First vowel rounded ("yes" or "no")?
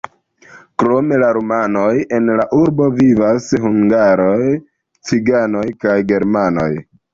yes